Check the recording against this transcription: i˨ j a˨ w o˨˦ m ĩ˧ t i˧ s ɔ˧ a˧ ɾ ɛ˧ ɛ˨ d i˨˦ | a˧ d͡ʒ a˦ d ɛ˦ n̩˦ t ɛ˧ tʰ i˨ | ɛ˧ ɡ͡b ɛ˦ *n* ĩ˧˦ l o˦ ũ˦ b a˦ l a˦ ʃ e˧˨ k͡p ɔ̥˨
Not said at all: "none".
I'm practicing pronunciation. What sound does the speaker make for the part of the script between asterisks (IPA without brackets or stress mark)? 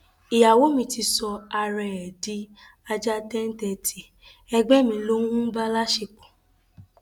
m